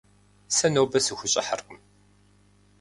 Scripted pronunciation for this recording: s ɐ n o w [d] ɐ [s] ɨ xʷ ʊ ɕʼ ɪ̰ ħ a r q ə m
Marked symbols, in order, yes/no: no, yes

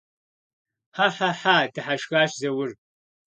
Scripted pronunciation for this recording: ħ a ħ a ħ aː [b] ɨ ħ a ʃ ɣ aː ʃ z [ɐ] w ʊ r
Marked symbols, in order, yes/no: no, yes

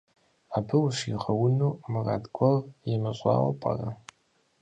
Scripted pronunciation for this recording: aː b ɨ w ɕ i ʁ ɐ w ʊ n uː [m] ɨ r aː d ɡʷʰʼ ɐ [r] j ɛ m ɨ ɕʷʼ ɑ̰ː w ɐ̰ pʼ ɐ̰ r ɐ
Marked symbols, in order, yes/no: yes, yes

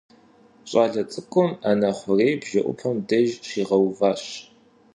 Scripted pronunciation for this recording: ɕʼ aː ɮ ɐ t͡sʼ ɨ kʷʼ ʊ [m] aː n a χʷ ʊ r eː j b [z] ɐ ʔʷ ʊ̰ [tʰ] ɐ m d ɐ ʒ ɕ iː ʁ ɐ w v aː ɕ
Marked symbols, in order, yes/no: yes, no, no

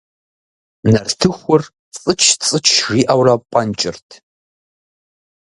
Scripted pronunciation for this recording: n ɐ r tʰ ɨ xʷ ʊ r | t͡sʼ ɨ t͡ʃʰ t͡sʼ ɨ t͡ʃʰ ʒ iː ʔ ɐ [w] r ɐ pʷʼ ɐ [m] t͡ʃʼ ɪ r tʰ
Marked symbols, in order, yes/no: yes, no

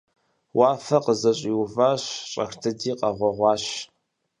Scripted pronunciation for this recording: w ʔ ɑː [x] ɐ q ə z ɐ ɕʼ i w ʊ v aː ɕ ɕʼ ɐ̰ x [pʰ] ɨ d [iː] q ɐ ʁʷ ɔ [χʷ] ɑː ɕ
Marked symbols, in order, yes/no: no, no, yes, no

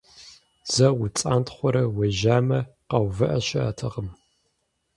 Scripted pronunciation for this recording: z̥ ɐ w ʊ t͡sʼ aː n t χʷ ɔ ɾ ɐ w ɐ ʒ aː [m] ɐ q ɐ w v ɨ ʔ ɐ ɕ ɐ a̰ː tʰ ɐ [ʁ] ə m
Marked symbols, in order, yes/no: yes, yes

